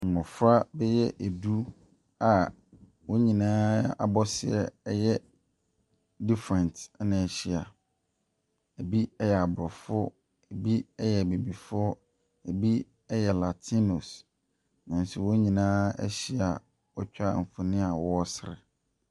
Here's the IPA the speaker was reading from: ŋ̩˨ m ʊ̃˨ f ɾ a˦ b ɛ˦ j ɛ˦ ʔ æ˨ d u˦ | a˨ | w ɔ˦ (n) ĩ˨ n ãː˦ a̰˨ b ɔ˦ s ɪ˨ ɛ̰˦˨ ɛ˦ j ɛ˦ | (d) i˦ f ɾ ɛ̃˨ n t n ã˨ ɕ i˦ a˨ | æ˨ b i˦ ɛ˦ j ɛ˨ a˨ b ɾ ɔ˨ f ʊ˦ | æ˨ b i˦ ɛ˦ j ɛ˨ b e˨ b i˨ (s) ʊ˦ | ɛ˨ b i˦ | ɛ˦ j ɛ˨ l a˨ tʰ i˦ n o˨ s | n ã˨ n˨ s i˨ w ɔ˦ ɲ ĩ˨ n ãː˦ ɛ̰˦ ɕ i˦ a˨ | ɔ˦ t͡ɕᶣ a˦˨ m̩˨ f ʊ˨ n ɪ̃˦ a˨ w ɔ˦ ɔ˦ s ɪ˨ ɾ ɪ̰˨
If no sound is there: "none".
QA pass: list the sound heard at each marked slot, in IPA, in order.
ɲ, d, f

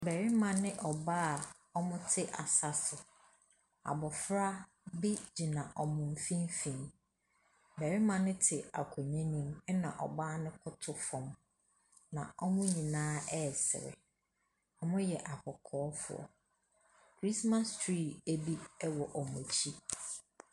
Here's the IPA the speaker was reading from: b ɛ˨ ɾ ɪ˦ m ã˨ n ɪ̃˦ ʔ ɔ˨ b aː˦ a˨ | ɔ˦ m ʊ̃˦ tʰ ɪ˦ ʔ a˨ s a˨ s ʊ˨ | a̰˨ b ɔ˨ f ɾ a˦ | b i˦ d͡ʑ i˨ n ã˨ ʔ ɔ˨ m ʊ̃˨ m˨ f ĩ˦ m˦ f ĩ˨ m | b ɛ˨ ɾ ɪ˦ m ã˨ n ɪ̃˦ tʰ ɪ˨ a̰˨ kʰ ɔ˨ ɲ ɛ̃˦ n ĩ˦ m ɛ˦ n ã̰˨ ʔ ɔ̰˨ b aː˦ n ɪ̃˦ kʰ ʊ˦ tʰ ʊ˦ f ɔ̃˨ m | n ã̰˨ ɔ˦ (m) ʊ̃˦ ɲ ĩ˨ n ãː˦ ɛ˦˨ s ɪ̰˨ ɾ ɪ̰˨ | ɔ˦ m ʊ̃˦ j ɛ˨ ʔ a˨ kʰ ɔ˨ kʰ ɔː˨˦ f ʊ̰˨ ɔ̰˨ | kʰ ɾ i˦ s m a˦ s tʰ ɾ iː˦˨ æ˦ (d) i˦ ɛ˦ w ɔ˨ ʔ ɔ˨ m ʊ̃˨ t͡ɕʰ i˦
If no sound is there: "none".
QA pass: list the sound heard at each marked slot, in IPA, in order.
m, b

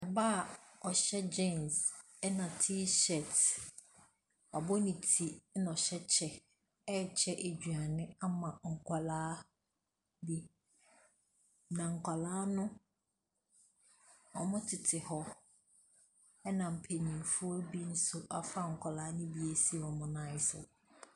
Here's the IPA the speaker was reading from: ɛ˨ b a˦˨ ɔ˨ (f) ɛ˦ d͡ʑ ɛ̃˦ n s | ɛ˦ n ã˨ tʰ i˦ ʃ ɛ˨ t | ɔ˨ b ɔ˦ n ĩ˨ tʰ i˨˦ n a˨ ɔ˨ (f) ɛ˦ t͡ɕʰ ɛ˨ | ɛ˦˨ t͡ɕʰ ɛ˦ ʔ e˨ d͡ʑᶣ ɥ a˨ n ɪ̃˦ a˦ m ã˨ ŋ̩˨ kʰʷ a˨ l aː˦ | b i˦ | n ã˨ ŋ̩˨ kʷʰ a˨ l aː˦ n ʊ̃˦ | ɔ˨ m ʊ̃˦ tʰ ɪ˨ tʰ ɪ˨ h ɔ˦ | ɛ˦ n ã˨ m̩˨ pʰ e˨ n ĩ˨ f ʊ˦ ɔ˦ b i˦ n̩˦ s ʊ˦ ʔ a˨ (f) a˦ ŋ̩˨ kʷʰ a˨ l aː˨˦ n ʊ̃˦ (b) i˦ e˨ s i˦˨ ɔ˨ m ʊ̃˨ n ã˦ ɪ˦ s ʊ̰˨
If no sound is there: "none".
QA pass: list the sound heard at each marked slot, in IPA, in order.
ɕ, ɕ, f, b

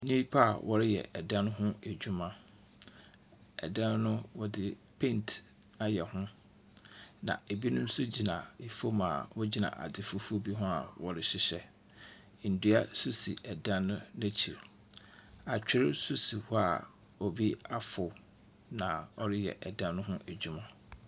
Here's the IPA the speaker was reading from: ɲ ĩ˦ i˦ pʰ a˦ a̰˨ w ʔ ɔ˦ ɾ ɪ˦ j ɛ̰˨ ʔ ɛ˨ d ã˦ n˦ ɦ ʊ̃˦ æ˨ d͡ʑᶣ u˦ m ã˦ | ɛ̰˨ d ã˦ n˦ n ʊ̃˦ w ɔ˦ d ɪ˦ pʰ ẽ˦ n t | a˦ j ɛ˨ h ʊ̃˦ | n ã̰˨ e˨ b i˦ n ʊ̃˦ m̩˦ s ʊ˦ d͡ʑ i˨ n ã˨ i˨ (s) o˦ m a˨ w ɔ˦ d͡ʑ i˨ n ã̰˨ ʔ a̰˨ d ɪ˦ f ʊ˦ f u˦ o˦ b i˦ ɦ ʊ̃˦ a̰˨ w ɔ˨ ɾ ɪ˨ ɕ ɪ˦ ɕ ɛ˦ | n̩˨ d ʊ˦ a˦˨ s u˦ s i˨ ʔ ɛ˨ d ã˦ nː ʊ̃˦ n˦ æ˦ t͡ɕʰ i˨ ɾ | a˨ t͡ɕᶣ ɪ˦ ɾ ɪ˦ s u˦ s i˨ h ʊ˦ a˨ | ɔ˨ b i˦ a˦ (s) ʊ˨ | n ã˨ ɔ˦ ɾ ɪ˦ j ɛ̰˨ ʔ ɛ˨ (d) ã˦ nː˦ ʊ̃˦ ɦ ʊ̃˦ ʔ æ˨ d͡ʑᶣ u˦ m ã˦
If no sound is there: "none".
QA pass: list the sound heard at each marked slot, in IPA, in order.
f, f, d

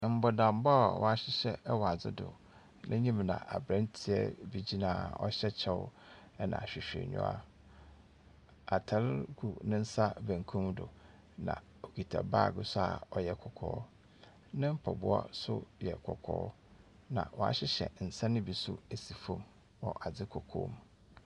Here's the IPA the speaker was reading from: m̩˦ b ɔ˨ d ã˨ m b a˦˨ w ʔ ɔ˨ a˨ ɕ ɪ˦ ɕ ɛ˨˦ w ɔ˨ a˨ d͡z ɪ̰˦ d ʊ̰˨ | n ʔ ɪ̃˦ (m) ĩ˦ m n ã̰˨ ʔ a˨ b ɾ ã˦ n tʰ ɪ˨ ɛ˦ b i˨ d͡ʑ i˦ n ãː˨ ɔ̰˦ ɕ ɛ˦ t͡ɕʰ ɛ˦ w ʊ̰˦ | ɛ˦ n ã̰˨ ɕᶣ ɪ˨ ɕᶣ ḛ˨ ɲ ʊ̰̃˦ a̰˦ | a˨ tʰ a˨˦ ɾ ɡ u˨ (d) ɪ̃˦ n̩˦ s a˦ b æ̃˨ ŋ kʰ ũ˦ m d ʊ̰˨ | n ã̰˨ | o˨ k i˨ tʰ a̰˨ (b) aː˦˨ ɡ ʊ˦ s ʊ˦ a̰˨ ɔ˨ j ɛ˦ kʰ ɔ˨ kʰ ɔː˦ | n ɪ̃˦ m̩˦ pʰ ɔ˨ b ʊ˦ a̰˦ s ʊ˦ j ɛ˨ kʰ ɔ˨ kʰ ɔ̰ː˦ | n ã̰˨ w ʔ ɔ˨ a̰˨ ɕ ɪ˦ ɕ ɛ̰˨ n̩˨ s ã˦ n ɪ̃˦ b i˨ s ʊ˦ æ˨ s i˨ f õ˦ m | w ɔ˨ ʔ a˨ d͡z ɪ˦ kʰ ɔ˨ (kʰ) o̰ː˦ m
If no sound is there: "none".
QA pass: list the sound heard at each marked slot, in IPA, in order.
ɲ, n, b, kʰ

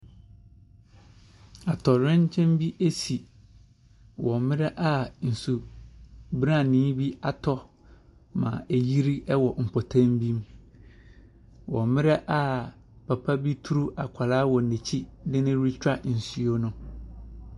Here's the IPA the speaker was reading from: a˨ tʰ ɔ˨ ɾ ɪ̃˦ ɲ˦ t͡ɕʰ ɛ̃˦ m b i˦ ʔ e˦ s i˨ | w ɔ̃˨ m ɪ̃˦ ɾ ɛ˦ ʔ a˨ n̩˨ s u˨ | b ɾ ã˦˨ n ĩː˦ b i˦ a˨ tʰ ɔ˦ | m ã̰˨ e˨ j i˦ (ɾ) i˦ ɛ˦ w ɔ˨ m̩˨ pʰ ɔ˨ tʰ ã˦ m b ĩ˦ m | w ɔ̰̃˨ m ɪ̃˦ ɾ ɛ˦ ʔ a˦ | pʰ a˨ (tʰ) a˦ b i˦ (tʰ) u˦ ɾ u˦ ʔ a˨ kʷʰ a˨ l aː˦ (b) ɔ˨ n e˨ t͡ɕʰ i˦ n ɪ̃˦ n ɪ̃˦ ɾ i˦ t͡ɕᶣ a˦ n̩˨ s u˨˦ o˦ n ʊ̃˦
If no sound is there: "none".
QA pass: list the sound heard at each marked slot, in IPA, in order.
ɾ, pʰ, tʰ, w

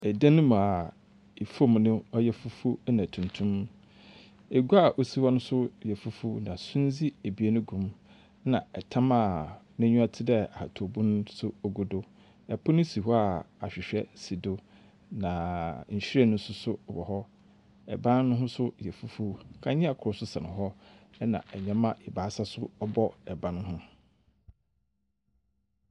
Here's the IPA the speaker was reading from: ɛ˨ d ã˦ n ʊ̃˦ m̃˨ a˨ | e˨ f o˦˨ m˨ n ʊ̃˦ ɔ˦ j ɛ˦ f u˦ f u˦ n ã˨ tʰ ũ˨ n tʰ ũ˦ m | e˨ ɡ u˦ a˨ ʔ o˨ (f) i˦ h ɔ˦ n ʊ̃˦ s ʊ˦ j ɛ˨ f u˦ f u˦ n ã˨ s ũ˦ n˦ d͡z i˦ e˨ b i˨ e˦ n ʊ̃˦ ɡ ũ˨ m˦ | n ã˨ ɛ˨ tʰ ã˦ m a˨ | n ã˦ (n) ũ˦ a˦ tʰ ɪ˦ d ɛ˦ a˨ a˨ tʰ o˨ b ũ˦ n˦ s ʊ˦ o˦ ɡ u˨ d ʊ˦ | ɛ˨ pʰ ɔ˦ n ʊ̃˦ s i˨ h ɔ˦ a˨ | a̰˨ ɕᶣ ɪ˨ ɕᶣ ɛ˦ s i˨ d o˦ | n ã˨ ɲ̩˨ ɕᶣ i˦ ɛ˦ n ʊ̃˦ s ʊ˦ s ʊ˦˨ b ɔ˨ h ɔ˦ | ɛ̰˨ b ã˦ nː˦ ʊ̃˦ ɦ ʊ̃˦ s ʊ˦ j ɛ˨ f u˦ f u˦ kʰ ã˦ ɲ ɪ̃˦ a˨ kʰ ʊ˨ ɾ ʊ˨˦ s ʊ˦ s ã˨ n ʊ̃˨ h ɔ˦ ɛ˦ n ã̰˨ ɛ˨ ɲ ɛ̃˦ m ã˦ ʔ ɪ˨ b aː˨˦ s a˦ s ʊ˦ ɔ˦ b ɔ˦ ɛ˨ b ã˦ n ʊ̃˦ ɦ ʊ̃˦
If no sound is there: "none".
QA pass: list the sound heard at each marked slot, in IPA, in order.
s, ɲ

